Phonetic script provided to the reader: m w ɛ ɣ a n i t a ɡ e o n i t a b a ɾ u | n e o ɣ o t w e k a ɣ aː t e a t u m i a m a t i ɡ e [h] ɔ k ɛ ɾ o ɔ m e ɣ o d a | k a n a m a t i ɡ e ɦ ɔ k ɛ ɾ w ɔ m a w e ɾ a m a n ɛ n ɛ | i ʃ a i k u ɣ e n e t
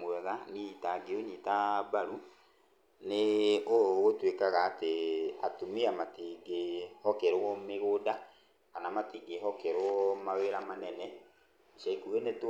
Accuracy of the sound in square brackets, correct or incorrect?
correct